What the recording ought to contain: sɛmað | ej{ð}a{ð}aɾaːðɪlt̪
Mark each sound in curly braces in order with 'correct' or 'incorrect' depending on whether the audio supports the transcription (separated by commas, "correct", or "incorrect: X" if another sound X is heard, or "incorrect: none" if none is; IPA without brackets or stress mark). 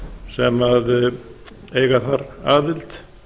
incorrect: ɣ, incorrect: θ